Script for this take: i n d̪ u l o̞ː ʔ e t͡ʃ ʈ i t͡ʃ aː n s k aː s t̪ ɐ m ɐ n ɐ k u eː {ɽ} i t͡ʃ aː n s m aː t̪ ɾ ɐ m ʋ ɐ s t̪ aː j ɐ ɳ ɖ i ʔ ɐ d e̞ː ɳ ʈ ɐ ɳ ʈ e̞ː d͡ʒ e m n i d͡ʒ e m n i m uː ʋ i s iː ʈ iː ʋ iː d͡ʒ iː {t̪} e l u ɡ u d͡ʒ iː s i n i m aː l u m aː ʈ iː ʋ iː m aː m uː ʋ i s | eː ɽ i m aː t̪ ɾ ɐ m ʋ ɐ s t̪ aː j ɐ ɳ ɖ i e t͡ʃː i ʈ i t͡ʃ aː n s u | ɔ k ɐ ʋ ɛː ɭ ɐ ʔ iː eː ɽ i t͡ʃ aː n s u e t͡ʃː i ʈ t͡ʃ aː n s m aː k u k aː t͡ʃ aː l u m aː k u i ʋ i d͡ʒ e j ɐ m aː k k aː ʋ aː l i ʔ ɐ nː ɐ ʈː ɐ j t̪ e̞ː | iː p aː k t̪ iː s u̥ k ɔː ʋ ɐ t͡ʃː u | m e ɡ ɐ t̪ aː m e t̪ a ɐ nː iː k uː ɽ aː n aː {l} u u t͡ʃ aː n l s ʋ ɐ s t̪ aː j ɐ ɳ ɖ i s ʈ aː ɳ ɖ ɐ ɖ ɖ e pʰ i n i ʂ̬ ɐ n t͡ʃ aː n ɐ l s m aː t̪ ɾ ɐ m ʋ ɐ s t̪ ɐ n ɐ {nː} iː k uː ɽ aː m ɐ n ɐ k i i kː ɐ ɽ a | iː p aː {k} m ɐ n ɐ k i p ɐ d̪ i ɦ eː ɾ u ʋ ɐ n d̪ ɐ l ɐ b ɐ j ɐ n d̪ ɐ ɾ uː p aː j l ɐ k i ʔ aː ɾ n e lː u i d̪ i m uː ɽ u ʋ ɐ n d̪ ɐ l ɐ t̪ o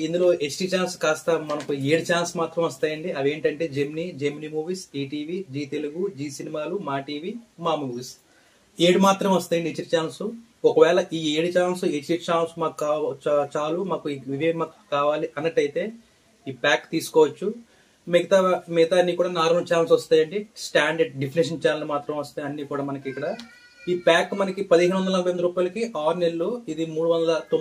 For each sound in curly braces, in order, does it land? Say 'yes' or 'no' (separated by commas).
yes, yes, no, yes, yes